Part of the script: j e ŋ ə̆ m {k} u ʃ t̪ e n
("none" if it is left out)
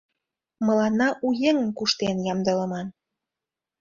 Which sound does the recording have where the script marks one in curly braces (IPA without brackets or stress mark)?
k